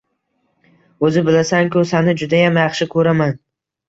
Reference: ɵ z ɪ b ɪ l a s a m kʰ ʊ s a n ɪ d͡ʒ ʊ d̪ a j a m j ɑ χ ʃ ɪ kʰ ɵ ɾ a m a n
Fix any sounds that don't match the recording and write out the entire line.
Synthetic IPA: ɵ z ɪ b ɪ l a s a ŋ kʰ ʊ s a n ɪ d͡ʒ ʊ d̪ a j a m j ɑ χ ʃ ɪ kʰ ɵ ɾ a m a n